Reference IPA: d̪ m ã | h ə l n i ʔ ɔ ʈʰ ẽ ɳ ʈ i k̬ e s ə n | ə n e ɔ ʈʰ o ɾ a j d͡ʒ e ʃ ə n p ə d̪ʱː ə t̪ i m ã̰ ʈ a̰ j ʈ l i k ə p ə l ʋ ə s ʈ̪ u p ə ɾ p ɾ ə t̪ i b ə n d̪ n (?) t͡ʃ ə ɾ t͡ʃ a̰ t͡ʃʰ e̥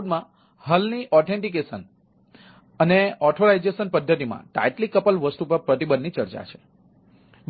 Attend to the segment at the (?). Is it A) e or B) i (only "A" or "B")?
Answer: B